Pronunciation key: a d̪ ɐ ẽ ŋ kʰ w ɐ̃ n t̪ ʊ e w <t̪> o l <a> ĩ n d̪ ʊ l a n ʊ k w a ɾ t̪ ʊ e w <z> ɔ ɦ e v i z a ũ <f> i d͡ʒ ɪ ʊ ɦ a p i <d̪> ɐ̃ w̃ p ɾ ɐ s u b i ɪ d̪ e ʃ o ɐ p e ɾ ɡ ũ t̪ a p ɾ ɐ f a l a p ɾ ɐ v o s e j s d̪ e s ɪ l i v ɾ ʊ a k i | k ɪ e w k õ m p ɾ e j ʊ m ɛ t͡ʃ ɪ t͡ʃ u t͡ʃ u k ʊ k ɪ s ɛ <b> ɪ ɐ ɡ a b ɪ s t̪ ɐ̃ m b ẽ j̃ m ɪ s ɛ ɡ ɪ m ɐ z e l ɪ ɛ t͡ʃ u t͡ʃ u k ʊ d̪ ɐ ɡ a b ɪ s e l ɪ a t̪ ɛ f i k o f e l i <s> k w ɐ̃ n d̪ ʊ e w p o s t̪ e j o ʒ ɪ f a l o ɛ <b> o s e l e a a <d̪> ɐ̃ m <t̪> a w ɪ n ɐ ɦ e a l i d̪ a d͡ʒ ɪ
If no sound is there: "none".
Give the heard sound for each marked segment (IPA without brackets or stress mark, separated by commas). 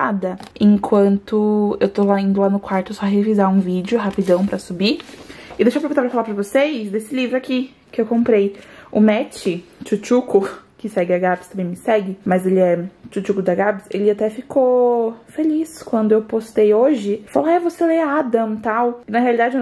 t̪, a, s, v, d̪, ɡ, s, v, d̪, t̪